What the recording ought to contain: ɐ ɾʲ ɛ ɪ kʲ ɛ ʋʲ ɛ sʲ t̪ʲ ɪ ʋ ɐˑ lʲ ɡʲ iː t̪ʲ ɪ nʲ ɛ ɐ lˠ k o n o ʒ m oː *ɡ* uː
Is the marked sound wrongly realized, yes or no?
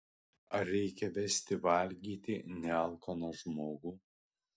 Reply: no